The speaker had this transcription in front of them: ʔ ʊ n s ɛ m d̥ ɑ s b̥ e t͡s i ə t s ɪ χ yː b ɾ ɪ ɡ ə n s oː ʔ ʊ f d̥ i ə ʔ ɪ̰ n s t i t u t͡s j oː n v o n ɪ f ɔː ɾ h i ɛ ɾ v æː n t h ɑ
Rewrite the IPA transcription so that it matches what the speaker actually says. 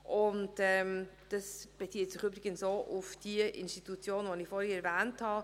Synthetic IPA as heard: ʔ ʊ n t ɛ m d̥ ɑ s b̥ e t͡s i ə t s ɪ χ yː b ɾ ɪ ɡ ə n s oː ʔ ʊ f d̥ i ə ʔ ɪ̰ n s t i t u t͡s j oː n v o n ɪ f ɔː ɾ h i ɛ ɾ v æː n t h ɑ

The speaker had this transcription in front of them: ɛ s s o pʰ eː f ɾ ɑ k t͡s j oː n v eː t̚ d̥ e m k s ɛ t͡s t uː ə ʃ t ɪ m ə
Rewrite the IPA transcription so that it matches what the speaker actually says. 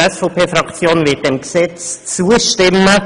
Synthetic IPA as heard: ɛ s f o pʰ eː f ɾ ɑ k t͡s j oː n v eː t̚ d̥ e m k s ɛ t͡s t͡s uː ə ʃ t ɪ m ə

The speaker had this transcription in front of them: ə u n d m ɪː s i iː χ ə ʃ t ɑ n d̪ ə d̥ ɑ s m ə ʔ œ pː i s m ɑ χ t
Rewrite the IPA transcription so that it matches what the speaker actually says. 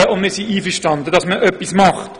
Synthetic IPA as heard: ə ʊ n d m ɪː s i iː f ə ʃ t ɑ n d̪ ə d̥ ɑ s m ə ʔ œ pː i s m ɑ χ t

